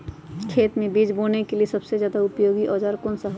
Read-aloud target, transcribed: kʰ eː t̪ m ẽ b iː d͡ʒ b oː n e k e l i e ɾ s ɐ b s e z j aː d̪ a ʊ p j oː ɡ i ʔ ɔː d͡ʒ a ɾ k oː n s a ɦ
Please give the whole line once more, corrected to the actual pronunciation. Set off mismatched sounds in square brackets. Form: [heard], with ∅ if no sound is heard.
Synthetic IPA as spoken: kʰ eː t̪ m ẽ b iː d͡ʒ b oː n e k e l i e [∅] s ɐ b s e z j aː d̪ a ʊ p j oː ɡ i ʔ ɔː d͡ʒ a ɾ k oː n s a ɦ